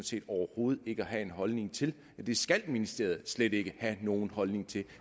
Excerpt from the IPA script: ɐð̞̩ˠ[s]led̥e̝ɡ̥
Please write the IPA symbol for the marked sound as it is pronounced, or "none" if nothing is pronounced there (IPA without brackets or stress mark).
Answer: s